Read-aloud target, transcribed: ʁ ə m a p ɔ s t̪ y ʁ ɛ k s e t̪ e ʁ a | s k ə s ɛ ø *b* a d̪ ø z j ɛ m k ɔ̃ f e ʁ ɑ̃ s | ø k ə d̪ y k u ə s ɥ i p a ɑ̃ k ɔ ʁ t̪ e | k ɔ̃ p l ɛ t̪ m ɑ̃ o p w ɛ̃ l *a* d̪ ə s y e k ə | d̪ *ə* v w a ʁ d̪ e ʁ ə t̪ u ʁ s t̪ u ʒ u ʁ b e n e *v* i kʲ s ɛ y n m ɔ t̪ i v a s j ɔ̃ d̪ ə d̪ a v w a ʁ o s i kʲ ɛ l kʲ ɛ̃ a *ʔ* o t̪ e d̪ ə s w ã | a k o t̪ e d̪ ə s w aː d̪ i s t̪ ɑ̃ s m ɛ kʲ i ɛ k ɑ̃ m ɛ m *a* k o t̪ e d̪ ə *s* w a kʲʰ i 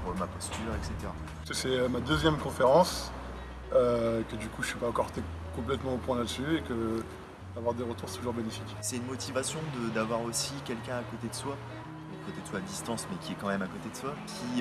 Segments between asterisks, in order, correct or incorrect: incorrect: m, correct, incorrect: a, incorrect: f, incorrect: k, correct, correct

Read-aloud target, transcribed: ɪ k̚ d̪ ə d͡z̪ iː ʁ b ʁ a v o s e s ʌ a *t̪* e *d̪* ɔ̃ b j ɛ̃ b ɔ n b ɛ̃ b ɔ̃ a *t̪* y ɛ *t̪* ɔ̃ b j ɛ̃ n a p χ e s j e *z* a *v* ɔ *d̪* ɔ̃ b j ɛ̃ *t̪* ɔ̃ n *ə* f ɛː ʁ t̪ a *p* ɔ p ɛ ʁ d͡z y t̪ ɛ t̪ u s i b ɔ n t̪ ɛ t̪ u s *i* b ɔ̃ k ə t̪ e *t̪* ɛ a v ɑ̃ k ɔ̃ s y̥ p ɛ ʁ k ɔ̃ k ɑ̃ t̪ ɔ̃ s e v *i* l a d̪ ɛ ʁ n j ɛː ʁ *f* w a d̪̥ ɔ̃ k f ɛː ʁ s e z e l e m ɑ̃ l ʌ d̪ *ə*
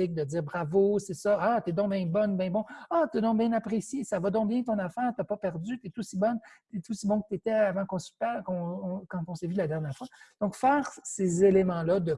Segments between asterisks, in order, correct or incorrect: correct, correct, correct, incorrect: d̪, incorrect: s, correct, correct, correct, incorrect: a, correct, correct, correct, incorrect: y, correct, correct

